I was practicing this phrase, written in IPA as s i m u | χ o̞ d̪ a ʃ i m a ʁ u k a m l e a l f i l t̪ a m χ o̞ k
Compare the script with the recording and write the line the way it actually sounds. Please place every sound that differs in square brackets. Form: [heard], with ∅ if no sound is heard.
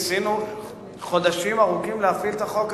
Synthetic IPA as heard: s i [n] u | χ o̞ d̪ a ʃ i m a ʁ u k [i] m l e a [∅] f i l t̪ a [∅] χ o̞ k